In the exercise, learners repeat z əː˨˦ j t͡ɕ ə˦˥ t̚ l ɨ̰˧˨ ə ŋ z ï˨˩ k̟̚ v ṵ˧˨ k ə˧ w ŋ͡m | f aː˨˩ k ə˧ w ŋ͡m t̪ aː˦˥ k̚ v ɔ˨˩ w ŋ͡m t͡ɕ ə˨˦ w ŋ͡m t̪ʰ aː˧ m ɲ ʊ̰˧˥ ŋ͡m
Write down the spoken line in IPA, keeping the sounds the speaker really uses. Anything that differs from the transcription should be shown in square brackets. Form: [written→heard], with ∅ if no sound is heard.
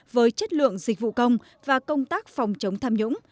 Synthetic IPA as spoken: [z→v] əː˨˦ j t͡ɕ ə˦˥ t̚ l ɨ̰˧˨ ə ŋ z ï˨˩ k̟̚ v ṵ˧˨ k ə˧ w ŋ͡m | [f→v] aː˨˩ k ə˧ w ŋ͡m t̪ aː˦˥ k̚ [v→f] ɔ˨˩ w ŋ͡m t͡ɕ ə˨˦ w ŋ͡m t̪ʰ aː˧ m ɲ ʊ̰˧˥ ŋ͡m